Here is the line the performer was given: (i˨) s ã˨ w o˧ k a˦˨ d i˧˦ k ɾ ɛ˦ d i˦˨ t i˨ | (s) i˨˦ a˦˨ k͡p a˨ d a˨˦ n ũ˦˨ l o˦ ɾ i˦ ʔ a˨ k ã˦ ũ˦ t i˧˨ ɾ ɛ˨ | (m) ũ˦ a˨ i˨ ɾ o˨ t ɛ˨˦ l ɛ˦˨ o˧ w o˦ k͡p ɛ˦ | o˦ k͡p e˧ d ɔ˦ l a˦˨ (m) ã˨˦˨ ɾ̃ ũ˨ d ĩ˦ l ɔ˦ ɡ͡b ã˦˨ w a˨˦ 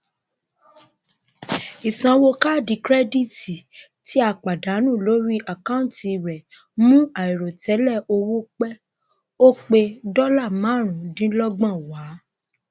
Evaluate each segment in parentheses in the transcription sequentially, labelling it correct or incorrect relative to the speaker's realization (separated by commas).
correct, incorrect, correct, correct